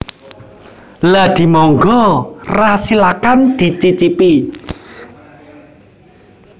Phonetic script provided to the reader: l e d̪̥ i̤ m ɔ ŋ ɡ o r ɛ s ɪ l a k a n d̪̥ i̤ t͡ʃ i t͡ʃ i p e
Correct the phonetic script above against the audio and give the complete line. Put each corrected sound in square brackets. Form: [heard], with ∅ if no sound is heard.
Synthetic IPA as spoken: l [a] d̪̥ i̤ m ɔ ŋ ɡ [ɔ] r [a] s [i] l a k a n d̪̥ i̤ t͡ʃ i t͡ʃ i p [i]